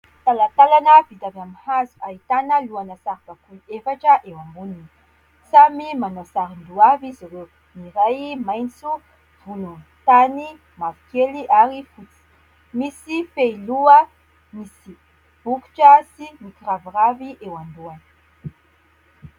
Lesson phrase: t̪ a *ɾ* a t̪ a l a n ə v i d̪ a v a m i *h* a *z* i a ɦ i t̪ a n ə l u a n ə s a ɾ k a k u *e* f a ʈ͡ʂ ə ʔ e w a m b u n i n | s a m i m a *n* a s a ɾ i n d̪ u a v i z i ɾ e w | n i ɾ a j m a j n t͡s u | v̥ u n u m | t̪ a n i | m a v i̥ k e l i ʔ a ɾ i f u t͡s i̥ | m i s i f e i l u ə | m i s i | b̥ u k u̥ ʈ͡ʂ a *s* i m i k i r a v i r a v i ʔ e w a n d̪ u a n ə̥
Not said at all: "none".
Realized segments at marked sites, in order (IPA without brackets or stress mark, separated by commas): l, h, z, e, n, s